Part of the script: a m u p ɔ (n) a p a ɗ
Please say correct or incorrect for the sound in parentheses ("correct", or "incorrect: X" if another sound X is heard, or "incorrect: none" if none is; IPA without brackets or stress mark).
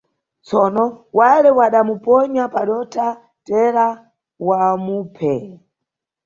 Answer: incorrect: ɲ